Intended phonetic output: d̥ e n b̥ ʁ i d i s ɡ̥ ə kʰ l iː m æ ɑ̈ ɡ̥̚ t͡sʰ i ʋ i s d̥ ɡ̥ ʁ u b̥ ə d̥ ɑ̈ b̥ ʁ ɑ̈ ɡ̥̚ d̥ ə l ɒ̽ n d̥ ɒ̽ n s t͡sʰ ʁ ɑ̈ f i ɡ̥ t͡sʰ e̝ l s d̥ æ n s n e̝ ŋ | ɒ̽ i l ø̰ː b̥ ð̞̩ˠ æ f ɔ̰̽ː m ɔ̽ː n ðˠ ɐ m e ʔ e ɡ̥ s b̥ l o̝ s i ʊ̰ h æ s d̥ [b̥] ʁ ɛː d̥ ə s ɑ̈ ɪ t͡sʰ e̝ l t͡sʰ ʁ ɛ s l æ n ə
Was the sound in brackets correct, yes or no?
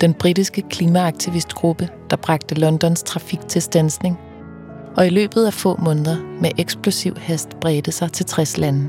yes